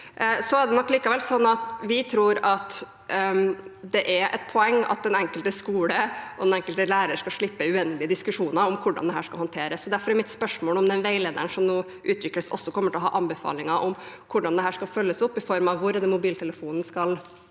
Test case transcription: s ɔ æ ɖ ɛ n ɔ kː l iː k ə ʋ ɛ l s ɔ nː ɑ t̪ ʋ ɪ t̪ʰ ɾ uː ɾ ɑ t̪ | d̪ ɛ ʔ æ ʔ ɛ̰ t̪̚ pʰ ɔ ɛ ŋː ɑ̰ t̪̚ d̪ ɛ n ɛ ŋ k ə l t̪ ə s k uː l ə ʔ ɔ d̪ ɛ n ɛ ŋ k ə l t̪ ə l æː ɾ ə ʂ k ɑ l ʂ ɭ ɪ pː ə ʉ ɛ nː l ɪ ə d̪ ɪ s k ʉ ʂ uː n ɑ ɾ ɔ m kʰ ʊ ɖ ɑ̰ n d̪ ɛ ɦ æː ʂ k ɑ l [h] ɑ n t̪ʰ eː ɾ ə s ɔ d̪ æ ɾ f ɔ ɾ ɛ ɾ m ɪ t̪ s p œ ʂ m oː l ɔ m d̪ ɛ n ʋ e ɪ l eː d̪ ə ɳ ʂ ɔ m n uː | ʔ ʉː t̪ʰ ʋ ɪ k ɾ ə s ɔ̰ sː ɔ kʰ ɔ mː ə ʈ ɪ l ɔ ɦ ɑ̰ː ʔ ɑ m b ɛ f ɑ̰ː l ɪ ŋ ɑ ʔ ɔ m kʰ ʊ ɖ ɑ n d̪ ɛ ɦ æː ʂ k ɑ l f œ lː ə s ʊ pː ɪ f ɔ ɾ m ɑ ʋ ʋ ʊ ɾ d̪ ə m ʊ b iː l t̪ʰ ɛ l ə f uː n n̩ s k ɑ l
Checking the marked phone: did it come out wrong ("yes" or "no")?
no